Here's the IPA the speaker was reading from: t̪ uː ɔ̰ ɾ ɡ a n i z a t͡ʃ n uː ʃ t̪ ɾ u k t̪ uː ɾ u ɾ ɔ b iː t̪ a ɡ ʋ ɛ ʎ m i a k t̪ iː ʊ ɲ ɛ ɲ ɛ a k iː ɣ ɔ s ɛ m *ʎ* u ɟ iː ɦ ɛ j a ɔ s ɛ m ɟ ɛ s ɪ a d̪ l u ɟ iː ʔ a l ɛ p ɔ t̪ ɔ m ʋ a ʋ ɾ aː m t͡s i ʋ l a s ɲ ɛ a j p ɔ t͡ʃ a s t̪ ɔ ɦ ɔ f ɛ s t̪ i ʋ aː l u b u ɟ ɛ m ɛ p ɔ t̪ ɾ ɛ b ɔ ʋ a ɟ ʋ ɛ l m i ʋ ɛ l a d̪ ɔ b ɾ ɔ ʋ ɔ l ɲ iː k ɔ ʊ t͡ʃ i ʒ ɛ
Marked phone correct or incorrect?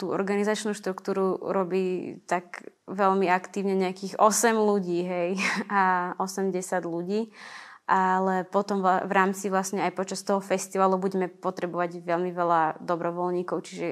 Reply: incorrect